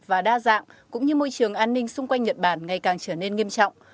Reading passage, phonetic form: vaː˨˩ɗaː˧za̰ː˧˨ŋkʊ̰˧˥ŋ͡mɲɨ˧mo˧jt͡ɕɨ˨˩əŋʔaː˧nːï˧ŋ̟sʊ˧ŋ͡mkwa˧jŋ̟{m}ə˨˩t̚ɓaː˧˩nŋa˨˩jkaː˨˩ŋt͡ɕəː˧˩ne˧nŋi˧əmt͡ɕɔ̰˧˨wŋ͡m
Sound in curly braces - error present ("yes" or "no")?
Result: yes